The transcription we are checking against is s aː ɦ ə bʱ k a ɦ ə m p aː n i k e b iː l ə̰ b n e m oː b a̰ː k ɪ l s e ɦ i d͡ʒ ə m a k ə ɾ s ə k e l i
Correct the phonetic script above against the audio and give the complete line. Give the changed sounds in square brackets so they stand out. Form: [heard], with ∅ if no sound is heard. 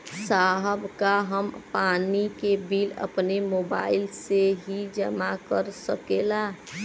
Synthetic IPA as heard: s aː ɦ ə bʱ k a ɦ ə m p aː n i k e b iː l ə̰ [p] n e m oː b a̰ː [∅] ɪ l s e ɦ i d͡ʒ ə m a k ə ɾ s ə k e l [a]